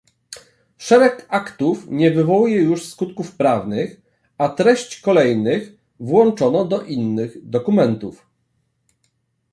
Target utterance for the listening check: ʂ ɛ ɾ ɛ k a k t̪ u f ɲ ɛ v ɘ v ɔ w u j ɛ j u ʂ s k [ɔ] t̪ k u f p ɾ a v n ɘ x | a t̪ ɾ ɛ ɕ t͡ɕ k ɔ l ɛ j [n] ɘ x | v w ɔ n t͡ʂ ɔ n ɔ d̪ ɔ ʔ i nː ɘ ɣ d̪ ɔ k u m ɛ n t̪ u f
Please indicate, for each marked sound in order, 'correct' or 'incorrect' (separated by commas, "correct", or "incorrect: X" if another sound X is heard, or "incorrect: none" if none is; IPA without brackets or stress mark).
incorrect: u, correct